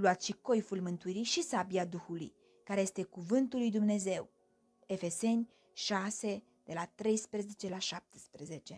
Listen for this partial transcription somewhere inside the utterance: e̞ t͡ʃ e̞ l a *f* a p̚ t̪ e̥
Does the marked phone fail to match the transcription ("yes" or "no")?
yes